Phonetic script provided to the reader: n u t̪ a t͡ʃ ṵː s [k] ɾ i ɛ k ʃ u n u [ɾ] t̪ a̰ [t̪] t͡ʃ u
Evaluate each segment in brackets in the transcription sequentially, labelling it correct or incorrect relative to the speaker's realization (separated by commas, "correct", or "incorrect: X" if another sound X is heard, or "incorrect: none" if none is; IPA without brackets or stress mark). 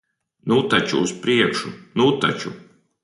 incorrect: p, incorrect: none, incorrect: none